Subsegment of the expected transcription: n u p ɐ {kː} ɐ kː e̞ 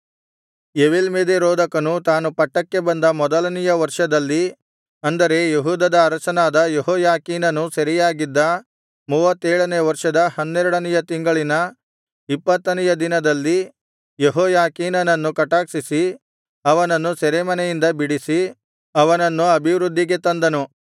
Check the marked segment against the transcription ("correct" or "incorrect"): incorrect